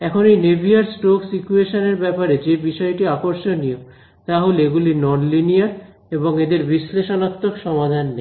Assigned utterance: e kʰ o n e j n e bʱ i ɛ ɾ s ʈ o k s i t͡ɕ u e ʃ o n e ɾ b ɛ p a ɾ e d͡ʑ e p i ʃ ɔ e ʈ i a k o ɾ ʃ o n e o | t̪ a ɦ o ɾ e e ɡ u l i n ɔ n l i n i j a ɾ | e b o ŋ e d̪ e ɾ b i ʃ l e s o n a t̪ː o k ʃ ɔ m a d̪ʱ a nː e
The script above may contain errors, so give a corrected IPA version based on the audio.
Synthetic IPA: ɛ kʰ o n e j n e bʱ i a ɾ s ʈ o k s i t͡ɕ u e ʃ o n e ɾ b ɛ p a ɾ e d͡ʑ e b i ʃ ɔ e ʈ i a k o ɾ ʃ o n i o | t̪ a ɦ o l e e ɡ u l i n ɔ n l i n i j a ɾ | e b o ŋ e d̪ e ɾ b i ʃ l e ʃ o n a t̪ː o k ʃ ɔ m a d̪ʱ a nː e